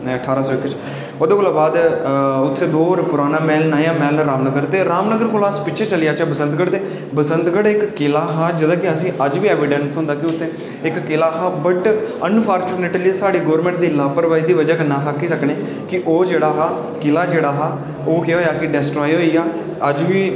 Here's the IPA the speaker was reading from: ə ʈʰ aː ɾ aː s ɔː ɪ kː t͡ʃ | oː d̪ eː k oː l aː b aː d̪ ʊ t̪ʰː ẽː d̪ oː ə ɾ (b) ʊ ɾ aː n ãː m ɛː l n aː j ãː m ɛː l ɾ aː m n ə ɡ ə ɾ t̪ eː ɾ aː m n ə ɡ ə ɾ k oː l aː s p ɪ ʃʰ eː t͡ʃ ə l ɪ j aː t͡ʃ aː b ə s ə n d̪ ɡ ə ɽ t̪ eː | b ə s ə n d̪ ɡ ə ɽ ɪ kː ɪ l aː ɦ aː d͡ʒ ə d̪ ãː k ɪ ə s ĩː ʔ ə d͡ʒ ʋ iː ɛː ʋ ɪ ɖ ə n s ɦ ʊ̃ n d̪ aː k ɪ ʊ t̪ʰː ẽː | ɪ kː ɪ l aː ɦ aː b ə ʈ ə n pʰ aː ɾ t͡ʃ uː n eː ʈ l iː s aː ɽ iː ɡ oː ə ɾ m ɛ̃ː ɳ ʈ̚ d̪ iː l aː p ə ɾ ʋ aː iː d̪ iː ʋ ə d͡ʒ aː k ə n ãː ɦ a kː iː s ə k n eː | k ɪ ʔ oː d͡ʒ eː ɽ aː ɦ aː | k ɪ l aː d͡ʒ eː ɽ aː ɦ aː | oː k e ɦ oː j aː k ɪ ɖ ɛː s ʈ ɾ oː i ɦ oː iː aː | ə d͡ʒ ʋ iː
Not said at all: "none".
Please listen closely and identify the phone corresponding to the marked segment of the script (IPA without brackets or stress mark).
p